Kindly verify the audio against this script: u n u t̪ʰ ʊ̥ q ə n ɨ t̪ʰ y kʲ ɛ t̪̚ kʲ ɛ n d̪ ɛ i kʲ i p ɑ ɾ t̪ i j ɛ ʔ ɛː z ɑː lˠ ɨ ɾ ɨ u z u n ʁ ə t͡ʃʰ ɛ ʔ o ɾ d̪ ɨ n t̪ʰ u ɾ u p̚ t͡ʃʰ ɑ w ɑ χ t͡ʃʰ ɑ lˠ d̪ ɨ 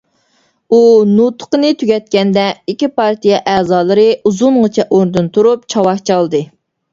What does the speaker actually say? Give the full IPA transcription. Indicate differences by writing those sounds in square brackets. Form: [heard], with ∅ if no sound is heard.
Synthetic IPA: u n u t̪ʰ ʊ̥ q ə n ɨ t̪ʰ y [ɡʲ] ɛ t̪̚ kʲ ɛ n d̪ ɛ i kʲ i p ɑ ɾ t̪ i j ɛ ʔ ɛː z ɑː lˠ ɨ ɾ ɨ u z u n ʁ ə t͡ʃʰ ɛ ʔ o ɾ d̪ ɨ n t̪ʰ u ɾ u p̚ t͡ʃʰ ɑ w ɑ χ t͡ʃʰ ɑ lˠ d̪ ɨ